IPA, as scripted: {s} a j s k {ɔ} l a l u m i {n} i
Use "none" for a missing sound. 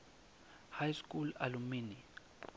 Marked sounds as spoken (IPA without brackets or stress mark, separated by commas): h, u, n